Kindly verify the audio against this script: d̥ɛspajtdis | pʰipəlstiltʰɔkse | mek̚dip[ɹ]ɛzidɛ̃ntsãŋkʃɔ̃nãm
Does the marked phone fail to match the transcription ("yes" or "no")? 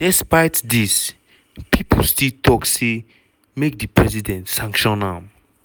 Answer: no